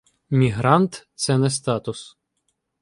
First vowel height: high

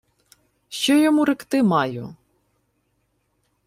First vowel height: mid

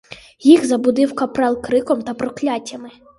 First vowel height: high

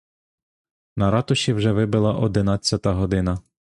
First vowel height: low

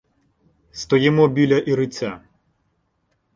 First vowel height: mid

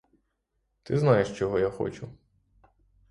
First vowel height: high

